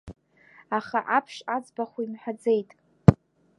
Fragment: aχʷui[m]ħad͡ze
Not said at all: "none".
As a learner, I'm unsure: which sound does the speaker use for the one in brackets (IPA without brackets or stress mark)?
m